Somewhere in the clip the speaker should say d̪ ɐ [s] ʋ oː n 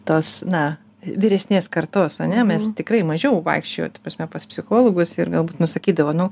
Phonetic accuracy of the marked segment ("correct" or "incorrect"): incorrect